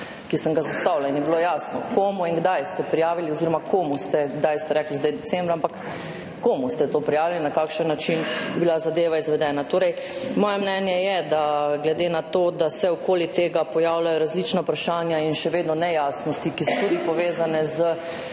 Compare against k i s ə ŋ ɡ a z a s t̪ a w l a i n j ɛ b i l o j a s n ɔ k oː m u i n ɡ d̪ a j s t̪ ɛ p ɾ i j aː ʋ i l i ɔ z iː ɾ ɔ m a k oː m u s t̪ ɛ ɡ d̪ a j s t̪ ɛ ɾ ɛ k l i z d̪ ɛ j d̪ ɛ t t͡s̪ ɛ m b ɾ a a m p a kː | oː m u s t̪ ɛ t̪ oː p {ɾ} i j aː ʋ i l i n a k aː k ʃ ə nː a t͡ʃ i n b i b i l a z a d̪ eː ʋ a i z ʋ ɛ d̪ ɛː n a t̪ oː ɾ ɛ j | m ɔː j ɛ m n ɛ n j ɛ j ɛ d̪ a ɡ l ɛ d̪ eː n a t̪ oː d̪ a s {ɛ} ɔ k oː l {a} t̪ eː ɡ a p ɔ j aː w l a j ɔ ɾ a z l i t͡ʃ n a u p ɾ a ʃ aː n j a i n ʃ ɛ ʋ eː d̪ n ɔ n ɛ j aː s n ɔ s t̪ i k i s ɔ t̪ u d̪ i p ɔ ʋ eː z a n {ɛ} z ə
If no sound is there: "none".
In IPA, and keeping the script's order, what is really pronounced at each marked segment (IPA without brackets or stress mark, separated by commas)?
ɾ, ɛ, i, ɛ